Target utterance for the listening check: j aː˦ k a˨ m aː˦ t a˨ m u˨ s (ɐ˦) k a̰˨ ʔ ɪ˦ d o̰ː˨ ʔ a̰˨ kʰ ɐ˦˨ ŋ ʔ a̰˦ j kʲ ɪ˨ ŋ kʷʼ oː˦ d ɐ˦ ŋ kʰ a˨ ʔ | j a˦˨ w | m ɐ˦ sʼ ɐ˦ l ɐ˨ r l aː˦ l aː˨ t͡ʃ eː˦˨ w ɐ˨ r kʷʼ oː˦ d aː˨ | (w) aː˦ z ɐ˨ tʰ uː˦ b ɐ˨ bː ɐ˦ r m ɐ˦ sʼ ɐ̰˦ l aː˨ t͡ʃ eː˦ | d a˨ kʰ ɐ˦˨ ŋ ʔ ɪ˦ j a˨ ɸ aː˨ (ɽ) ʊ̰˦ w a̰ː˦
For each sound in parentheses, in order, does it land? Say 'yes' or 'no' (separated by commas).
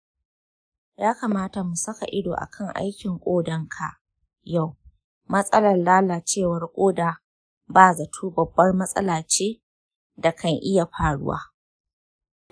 yes, no, yes